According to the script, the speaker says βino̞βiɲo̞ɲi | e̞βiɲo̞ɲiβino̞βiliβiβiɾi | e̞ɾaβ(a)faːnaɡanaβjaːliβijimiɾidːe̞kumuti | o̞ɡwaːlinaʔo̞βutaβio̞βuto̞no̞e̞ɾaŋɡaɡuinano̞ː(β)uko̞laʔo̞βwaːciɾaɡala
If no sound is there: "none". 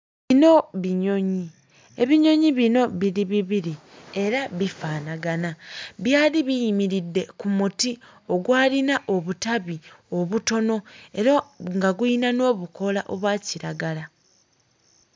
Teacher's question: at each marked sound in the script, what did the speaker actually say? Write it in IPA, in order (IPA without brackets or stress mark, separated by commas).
i, β